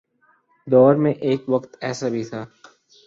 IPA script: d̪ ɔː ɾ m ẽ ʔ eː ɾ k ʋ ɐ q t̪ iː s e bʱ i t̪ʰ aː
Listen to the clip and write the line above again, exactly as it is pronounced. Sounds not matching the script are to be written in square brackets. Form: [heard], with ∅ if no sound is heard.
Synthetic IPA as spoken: d̪ ɔː ɾ m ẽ ʔ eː [∅] k ʋ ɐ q t̪ [ɛː] s [a] bʱ i t̪ʰ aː